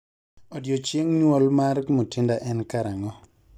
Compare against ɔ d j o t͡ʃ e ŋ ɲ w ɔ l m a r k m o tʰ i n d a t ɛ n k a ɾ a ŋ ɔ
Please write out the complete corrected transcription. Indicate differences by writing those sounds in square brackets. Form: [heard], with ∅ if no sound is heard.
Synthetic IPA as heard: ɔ d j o t͡ʃ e ŋ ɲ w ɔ l m a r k m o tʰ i n d a [ʔ] ɛ n k a ɾ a ŋ ɔ